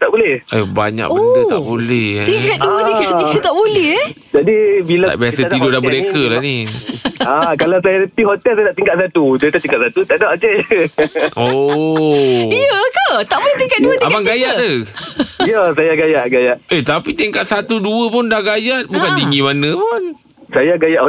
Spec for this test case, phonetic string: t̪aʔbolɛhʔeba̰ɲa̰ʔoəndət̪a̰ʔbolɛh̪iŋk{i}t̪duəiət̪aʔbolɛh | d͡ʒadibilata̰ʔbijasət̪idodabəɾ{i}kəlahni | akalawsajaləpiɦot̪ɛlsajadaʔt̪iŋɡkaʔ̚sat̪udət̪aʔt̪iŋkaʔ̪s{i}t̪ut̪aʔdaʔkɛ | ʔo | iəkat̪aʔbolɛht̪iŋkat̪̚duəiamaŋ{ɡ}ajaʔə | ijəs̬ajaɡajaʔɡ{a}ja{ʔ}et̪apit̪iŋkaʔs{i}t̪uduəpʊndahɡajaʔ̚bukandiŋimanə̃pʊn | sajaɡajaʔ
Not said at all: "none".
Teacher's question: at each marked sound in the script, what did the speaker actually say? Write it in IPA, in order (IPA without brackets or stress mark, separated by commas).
a, e, a, ɡ, a, ʔ, a